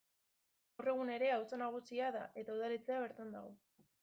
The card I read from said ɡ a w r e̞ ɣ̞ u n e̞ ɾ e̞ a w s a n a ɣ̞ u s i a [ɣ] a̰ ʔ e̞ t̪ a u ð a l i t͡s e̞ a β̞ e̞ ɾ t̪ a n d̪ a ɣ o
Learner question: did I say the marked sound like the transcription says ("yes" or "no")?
no